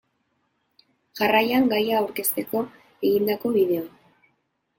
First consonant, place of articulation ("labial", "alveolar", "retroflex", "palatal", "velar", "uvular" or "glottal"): palatal